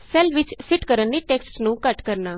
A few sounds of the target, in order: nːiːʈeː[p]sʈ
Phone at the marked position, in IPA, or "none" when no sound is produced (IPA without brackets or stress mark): k